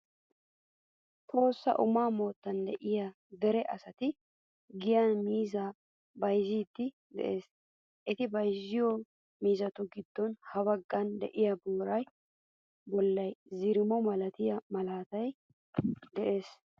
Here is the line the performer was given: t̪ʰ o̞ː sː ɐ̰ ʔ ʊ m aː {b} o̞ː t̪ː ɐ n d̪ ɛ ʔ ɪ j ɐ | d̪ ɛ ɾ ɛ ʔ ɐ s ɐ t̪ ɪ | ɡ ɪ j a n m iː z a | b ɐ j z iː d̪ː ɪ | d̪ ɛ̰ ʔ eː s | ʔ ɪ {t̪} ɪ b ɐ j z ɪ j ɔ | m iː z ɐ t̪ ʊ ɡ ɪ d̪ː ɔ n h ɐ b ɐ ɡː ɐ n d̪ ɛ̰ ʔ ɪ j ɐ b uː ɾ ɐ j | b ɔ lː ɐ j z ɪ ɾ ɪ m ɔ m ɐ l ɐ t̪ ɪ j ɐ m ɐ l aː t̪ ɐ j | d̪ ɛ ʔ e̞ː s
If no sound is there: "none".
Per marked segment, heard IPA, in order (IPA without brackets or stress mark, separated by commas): m, t̪